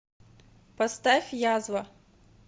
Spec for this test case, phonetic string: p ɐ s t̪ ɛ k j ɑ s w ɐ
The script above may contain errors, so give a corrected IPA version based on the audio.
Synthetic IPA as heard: p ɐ s t̪ ɛ x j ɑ z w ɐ

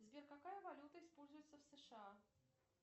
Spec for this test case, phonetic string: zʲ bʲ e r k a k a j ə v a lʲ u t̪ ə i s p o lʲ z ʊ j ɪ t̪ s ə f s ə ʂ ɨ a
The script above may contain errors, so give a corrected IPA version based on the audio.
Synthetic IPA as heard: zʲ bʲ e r k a k a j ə v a lʲ u t̪ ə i s p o lʲ z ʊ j ɪ t̪ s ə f s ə ʂ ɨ a

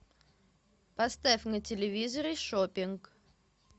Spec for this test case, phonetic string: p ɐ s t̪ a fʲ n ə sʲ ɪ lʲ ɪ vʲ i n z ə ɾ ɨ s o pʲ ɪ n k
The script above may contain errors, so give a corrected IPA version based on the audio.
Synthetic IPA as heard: p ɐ s t̪ a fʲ n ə tʲ ɪ lʲ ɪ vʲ i z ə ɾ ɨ ʂ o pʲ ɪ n k

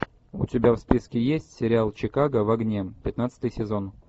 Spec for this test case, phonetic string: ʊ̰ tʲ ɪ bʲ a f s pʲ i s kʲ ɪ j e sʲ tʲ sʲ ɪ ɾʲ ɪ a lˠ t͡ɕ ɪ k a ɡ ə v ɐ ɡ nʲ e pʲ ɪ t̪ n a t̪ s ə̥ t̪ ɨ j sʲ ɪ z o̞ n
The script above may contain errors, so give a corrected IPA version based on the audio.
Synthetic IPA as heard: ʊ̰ tʲ ɪ bʲ a f s pʲ i s kʲ ɪ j e sʲ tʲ sʲ ɪ ɾʲ ɪ a lˠ t͡ɕ ɪ k a ɡ ə v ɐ ɡ nʲ e pʲ ɪ t̪ n a t̪ s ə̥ t̪ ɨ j sʲ ɪ z o̞ n

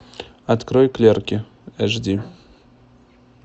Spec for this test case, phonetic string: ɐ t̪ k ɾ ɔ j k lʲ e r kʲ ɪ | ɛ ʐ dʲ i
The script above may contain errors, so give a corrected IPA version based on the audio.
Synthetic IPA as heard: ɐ t̪ k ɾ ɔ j k lʲ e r kʲ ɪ | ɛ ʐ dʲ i

